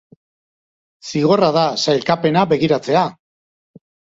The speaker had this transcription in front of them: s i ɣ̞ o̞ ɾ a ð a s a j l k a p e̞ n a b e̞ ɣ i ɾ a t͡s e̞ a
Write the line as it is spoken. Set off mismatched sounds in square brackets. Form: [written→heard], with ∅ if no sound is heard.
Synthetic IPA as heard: s i ɣ̞ o̞ [ɾ→r] a ð a s a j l k a p e̞ n a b e̞ ɣ i ɾ a t͡s e̞ a